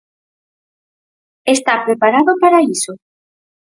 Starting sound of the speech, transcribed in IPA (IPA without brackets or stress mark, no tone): e